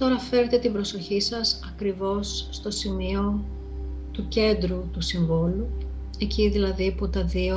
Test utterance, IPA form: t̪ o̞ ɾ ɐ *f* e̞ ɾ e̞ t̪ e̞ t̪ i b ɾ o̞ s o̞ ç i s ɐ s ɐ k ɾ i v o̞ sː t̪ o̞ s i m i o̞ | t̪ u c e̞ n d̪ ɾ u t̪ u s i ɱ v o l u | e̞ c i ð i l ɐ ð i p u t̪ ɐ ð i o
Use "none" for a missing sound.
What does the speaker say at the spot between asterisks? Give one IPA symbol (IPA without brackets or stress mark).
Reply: f